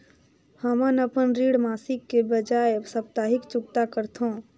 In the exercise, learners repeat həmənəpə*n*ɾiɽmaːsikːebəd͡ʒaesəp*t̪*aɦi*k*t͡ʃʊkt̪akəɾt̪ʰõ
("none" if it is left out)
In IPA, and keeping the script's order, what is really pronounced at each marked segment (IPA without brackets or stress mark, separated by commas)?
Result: n, t̪, k